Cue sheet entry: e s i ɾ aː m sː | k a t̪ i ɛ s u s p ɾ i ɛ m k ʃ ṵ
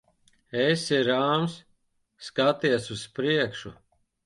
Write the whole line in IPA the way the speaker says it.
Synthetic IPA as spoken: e s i ɾ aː m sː | k a t̪ i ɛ s u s p ɾ i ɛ k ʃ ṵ